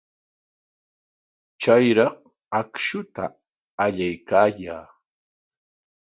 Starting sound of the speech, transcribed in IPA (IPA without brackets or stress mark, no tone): t͡ʃ